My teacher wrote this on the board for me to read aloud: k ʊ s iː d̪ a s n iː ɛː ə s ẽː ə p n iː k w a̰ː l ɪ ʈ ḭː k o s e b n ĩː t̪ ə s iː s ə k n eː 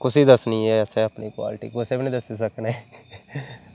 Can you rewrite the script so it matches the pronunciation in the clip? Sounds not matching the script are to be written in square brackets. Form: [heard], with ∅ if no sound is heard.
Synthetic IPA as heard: k ʊ s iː d̪ [ə] s n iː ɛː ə s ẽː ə p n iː k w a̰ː l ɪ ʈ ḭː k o s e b n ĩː [d̪] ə s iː s ə k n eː